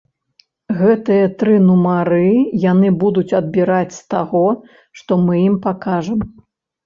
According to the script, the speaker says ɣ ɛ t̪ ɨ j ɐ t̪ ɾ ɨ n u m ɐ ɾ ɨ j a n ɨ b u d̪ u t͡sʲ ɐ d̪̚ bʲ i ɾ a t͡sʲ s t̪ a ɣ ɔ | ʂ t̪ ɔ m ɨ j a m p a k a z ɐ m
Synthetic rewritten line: ɣ ɛ t̪ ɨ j ɐ t̪ ɾ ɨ n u m a ɾ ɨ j a n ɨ b u d̪ u t͡sʲ ɐ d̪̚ bʲ i ɾ a t͡sʲ s t̪ a ɣ ɔ | ʂ t̪ ɔ m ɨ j i m p a k a ʐ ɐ m